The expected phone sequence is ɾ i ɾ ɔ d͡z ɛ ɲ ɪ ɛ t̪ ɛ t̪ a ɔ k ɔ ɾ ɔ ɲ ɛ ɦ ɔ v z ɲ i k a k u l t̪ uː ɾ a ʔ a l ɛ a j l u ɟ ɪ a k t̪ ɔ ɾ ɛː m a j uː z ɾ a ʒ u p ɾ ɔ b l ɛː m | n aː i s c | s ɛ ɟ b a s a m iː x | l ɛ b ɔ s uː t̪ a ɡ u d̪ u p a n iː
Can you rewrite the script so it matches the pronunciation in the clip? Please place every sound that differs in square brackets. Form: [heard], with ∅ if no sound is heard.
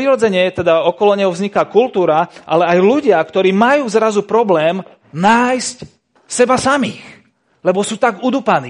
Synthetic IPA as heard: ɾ i ɾ ɔ d͡z ɛ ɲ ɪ ɛ t̪ ɛ [d̪] a ɔ k ɔ [l] ɔ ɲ ɛ ɦ ɔ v z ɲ i k a k u l t̪ uː ɾ a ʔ a l ɛ a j l u ɟ ɪ a k t̪ ɔ ɾ [iː] m a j uː z ɾ a [z] u p ɾ ɔ b l ɛː m | n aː [j] s c | s ɛ [∅] b a s a m iː x | l ɛ b ɔ s uː t̪ a ɡ u d̪ u p a n iː